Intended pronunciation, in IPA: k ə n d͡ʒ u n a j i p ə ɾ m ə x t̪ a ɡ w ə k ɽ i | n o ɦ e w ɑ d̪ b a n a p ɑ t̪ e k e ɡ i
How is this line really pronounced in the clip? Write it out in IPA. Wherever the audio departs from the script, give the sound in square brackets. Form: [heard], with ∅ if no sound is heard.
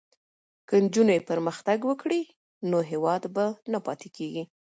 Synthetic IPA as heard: k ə n d͡ʒ u n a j [e] p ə ɾ m ə x t̪ a ɡ w ə k ɽ i | n o ɦ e w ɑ d̪ b a n a p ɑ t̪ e k e ɡ i